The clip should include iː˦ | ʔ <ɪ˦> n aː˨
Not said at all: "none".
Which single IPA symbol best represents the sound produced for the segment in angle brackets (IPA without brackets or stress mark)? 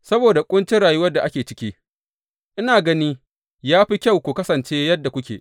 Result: ɪ˦